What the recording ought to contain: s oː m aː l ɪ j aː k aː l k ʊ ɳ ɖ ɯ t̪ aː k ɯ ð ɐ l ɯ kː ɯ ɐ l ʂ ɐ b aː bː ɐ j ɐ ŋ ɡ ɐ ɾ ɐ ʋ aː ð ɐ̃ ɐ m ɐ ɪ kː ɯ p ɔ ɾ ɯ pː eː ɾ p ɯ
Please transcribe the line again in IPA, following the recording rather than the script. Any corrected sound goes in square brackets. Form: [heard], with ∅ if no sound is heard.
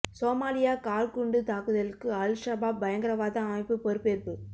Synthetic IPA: s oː m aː l ɪ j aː k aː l k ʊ ɳ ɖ ɯ t̪ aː k ɯ ð ɐ l ɯ kː ɯ ɐ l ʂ ɐ b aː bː ɐ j ɐ ŋ ɡ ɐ ɾ ɐ ʋ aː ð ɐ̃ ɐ m ɐ ɪ [pː] ɯ p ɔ ɾ ɯ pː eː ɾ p ɯ

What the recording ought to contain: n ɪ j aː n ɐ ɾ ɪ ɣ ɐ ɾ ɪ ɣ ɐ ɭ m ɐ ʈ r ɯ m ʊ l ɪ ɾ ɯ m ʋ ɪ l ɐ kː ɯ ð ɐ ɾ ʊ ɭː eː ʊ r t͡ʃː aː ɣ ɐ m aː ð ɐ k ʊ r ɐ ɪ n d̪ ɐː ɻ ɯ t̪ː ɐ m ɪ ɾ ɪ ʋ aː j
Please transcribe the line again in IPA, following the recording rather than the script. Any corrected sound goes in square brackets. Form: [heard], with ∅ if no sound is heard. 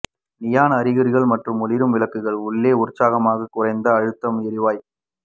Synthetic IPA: n ɪ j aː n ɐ ɾ ɪ ɣ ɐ ɾ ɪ ɣ ɐ ɭ m ɐ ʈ r ɯ m ʊ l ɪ ɾ ɯ m ʋ ɪ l ɐ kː ɯ [ɣ] ɐ [ɭ] ʊ ɭː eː ʊ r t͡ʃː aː ɣ ɐ m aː [ɣ] ɐ k ʊ r ɐ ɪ n d̪ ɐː ɻ ɯ t̪ː ɐ m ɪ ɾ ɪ ʋ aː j

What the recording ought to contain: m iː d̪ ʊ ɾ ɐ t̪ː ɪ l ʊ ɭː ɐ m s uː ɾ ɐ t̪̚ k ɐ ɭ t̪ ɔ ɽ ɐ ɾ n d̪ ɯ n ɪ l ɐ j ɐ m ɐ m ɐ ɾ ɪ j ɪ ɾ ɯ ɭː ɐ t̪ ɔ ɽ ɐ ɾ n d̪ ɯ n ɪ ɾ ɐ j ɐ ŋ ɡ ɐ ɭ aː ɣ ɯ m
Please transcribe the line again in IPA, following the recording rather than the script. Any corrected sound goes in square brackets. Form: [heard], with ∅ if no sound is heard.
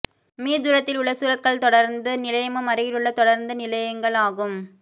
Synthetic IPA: m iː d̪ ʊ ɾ ɐ t̪ː ɪ l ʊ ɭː ɐ [∅] s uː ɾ ɐ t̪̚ k ɐ ɭ t̪ ɔ ɽ ɐ ɾ n d̪ ɯ n ɪ l ɐ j ɐ m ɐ m ɐ ɾ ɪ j ɪ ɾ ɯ ɭː ɐ t̪ ɔ ɽ ɐ ɾ n d̪ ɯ n ɪ [l] ɐ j ɐ ŋ ɡ ɐ ɭ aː ɣ ɯ m

